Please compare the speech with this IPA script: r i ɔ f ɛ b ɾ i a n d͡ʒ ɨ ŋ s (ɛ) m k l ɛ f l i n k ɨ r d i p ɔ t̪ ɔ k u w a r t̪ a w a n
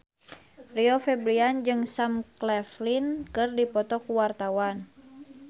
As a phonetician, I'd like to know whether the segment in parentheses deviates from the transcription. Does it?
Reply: yes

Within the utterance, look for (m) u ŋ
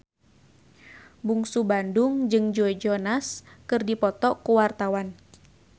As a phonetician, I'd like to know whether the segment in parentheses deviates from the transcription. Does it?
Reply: yes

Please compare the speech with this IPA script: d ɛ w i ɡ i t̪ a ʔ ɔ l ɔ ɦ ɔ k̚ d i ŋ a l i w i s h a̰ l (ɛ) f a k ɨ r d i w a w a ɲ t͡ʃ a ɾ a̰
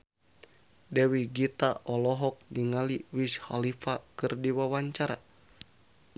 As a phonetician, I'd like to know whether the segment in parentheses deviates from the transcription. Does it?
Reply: yes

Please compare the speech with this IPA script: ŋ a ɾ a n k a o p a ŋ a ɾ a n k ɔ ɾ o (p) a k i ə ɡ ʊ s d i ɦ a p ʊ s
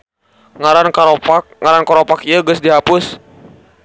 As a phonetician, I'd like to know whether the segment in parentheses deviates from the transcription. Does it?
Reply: no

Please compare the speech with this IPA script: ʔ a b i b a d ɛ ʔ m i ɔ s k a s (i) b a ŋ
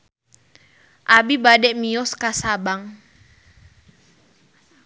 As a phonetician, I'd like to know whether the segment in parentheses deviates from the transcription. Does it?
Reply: yes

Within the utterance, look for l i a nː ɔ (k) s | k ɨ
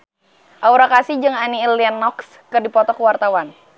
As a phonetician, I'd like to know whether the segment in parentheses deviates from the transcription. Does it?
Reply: no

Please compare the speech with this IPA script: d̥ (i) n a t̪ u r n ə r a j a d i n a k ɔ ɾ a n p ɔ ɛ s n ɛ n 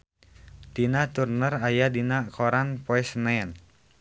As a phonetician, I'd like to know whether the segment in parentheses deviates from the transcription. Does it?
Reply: no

